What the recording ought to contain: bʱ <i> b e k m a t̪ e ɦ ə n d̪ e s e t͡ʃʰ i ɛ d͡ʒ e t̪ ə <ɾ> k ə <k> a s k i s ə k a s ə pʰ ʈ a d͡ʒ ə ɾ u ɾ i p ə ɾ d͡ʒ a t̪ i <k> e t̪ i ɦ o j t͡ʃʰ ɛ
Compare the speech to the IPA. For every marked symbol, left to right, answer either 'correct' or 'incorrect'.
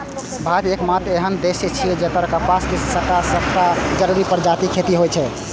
incorrect, correct, incorrect, incorrect

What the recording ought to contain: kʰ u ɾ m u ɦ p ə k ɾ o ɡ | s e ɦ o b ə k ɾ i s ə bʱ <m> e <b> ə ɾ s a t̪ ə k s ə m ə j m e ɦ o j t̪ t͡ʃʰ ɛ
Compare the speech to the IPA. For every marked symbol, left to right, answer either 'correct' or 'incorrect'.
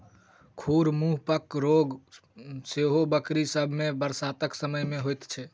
correct, correct

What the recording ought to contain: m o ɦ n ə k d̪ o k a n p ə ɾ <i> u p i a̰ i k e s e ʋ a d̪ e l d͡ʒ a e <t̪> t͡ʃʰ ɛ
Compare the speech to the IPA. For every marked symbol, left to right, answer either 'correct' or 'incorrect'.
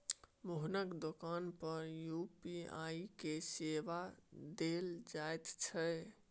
incorrect, correct

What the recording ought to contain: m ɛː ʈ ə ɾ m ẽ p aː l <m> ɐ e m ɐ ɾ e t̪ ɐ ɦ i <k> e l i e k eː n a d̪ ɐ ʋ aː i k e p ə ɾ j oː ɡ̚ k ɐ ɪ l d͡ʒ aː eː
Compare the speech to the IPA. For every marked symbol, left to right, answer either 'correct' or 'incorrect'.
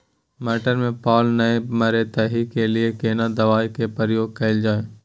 incorrect, correct

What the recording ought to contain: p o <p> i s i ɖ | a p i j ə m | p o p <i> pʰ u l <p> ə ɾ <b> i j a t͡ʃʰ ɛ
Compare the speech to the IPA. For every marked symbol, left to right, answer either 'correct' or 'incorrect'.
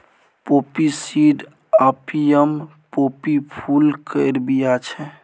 correct, correct, incorrect, correct

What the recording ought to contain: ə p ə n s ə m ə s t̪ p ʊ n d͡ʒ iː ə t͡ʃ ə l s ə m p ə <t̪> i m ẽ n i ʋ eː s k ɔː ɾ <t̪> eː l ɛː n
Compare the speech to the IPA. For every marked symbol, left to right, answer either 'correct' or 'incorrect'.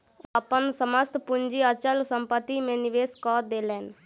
correct, incorrect

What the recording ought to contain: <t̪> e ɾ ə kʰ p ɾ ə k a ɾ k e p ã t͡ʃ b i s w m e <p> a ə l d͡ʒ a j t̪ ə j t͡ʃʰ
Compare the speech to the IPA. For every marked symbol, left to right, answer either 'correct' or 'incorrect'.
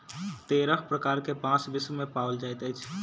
correct, correct

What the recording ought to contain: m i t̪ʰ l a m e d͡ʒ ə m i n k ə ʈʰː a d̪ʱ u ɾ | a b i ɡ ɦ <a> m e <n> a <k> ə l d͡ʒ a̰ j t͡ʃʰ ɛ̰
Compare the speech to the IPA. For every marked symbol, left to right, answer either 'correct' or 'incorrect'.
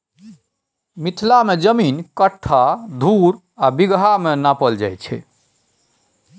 correct, correct, incorrect

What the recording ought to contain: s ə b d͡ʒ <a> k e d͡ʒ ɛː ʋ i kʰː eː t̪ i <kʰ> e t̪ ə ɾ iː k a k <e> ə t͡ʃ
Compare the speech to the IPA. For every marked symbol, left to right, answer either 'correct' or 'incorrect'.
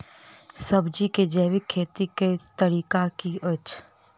incorrect, incorrect, incorrect

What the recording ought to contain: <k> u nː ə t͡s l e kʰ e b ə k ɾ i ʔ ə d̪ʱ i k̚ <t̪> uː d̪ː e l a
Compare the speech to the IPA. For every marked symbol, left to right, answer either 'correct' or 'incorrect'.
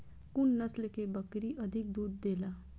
correct, incorrect

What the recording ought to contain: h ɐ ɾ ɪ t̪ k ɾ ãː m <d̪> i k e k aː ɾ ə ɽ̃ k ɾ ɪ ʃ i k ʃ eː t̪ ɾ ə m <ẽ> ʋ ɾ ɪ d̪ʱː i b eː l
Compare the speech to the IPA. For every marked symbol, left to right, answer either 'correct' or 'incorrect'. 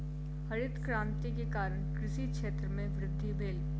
incorrect, correct

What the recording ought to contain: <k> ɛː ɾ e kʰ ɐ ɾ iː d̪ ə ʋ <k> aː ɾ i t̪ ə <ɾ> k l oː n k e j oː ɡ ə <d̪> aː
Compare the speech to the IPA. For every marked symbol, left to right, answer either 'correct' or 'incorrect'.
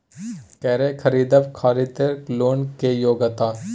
correct, incorrect, correct, incorrect

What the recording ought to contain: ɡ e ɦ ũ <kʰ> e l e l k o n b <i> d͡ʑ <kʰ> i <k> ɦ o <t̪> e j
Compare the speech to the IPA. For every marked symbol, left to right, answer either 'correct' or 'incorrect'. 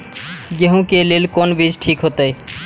incorrect, correct, incorrect, correct, correct

